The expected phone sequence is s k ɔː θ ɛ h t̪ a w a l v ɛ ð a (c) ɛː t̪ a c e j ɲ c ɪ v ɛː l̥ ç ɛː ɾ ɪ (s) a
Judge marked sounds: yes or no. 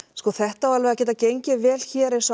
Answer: yes, yes

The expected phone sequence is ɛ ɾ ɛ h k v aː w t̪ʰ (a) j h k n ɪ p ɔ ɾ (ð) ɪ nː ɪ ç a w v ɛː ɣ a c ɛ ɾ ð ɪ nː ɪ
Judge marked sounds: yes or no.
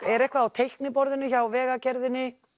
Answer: no, yes

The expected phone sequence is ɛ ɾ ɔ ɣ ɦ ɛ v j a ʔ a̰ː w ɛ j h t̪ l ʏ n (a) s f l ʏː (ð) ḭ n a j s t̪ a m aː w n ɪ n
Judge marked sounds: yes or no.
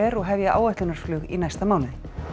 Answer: yes, no

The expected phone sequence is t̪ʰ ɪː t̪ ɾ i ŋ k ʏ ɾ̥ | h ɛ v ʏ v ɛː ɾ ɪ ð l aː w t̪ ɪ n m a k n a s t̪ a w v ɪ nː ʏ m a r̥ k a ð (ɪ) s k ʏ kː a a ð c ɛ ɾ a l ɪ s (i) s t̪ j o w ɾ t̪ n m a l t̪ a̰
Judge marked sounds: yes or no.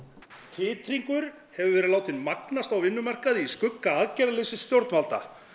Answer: no, no

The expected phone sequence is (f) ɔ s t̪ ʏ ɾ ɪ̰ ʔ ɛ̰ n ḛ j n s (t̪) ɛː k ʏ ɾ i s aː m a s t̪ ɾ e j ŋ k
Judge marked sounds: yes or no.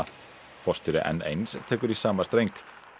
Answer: yes, no

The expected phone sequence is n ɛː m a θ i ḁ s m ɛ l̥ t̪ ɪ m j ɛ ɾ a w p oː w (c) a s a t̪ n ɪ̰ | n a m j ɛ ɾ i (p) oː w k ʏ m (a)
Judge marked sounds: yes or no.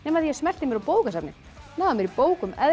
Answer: no, yes, no

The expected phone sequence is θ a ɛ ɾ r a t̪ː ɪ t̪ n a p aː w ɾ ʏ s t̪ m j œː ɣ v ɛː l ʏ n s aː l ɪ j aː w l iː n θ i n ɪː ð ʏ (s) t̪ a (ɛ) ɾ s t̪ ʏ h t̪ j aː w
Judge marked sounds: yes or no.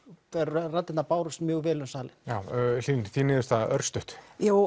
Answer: yes, no

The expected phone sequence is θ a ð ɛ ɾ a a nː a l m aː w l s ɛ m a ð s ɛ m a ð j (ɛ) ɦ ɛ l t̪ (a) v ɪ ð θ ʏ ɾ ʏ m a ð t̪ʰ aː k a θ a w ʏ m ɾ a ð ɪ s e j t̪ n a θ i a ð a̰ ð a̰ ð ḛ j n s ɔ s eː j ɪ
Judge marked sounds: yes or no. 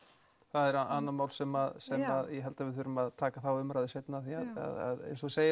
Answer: yes, yes

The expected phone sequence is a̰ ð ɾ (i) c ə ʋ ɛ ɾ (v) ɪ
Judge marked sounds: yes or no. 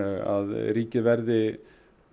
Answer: no, no

